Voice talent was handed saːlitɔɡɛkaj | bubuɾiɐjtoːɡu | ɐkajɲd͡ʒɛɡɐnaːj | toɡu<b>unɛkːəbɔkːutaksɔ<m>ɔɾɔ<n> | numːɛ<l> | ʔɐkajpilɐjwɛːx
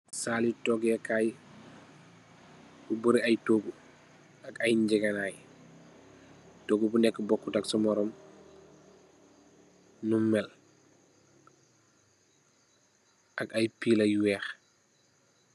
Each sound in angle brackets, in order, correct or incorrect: correct, correct, incorrect: m, correct

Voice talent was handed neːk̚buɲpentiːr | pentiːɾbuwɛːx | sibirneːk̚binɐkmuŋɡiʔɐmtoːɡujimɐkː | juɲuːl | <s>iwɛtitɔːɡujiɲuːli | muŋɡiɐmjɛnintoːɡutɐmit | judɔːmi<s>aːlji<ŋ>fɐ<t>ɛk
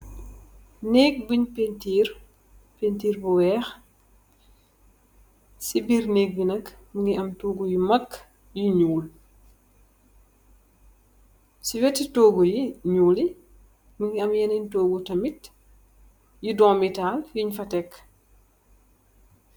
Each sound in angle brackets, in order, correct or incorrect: correct, incorrect: t, incorrect: ɲ, correct

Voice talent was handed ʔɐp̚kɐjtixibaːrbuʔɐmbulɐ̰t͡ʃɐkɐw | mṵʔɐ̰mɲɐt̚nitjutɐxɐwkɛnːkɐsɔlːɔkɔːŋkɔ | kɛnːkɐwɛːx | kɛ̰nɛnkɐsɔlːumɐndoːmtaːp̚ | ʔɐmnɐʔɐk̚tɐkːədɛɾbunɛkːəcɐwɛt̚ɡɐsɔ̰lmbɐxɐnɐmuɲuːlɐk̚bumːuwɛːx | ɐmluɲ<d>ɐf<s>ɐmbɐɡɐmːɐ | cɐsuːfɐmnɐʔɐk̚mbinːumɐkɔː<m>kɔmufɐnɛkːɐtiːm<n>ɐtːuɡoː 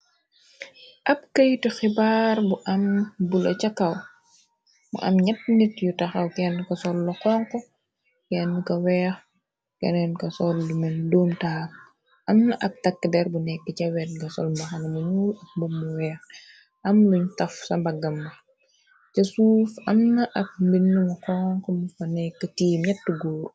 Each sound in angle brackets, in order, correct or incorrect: incorrect: t, correct, incorrect: ŋ, incorrect: ɲ

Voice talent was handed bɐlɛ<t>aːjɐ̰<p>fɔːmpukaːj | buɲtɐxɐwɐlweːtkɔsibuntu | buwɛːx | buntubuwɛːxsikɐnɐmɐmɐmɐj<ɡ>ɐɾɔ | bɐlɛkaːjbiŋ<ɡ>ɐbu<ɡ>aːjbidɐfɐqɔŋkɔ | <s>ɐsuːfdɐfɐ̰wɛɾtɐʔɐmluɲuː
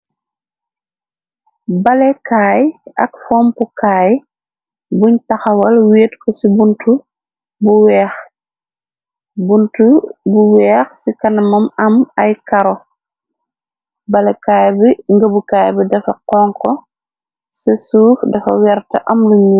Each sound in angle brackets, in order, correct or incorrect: incorrect: k, incorrect: k, incorrect: k, correct, incorrect: k, correct

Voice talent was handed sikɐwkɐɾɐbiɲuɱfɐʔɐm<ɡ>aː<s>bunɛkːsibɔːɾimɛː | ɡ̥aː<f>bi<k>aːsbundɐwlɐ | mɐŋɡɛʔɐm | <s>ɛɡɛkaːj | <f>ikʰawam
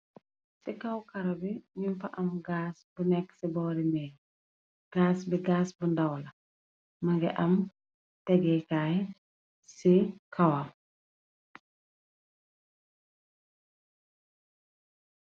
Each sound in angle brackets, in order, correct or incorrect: correct, correct, incorrect: s, incorrect: ɡ, incorrect: t, incorrect: s

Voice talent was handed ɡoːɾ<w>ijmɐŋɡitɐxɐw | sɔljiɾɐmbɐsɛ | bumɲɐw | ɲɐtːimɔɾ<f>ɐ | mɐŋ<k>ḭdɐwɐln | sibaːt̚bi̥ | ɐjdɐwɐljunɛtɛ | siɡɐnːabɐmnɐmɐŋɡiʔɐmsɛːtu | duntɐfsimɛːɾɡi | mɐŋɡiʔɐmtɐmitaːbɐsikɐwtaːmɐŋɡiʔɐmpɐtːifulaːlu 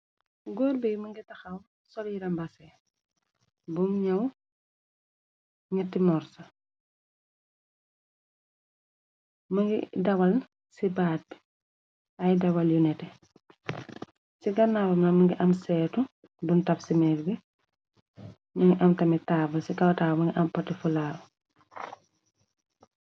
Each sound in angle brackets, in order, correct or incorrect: incorrect: b, incorrect: s, incorrect: ɡ

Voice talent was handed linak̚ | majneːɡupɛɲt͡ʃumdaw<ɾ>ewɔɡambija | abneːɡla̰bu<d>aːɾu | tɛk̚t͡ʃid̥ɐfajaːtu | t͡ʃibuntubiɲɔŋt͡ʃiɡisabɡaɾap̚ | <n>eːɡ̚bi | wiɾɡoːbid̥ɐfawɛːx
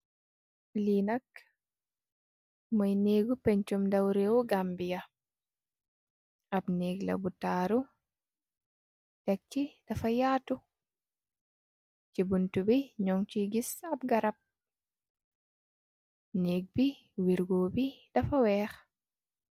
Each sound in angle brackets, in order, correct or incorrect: correct, incorrect: t, correct

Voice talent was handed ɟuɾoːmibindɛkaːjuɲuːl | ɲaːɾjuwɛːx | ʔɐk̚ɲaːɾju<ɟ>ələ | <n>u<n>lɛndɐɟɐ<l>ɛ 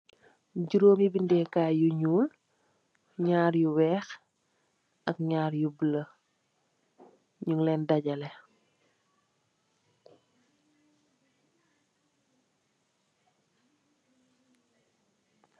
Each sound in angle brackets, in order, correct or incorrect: incorrect: b, incorrect: ɲ, incorrect: ŋ, correct

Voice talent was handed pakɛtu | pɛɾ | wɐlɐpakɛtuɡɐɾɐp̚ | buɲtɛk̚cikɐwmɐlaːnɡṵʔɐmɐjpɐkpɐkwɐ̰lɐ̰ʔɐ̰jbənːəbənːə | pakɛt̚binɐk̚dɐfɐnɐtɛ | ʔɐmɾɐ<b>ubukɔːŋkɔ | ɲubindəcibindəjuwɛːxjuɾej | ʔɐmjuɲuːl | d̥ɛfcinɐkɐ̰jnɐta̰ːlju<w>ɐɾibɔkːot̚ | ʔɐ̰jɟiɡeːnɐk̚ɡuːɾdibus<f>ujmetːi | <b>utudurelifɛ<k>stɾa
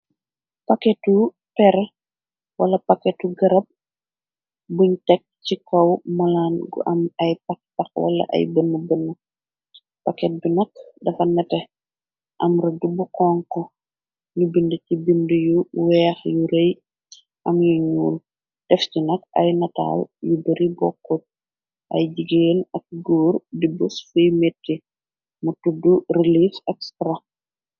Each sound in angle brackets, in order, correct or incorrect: incorrect: d, incorrect: b, correct, incorrect: m, correct

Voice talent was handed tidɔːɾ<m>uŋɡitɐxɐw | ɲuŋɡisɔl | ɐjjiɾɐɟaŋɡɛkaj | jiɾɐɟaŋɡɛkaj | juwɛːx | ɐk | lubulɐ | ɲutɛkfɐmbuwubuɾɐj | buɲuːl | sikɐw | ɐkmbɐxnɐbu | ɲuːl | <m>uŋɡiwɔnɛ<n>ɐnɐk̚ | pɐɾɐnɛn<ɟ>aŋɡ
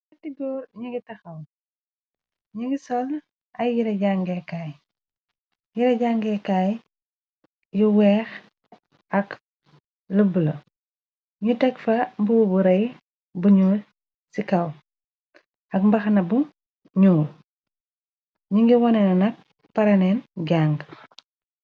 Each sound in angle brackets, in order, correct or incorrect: incorrect: ɲ, incorrect: ɲ, correct, correct

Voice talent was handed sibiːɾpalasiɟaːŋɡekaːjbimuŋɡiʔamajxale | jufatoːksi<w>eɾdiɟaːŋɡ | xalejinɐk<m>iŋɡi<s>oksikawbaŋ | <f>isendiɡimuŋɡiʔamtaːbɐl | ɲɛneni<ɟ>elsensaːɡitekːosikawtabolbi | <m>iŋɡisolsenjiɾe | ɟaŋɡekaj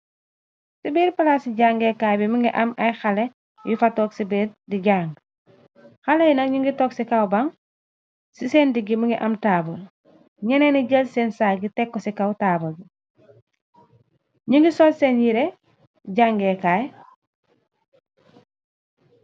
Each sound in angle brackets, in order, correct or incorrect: incorrect: b, incorrect: ɲ, incorrect: t, incorrect: s, correct, incorrect: ɲ

